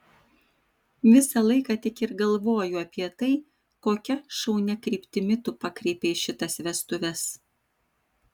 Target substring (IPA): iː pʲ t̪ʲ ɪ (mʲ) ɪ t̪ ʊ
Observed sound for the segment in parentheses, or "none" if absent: mʲ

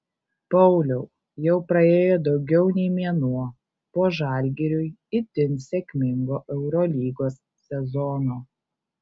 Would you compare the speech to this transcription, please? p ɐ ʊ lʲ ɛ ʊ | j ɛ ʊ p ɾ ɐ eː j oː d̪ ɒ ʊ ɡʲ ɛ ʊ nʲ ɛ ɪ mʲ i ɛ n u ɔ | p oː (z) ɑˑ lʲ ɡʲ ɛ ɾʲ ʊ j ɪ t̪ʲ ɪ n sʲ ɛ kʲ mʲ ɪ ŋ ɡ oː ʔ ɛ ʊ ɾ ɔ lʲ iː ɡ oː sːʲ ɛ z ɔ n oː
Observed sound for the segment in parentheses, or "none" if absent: ʒ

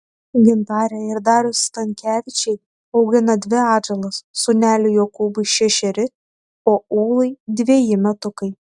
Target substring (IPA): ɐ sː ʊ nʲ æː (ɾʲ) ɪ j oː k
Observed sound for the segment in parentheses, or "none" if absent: lʲ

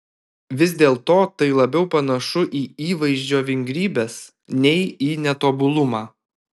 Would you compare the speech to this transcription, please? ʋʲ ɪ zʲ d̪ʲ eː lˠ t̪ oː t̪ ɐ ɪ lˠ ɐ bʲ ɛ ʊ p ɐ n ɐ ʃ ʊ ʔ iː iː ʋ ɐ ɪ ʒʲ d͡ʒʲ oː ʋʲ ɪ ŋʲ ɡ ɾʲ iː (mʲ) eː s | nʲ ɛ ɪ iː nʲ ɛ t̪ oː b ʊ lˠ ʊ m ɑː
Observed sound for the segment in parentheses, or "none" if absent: bʲ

